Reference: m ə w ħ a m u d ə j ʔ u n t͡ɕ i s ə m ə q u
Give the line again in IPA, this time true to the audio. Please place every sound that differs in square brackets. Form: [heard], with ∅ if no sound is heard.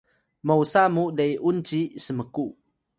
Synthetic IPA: m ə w [s] a m u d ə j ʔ u n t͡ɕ i s ə m ə [k] u